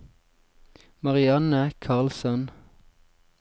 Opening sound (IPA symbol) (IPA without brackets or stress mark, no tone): m